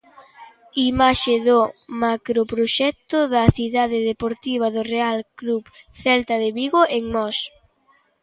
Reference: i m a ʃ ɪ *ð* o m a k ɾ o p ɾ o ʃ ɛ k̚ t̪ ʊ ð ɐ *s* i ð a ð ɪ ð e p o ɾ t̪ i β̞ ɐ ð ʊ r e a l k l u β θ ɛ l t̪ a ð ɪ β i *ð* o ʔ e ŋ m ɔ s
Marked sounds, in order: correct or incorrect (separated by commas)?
correct, incorrect, incorrect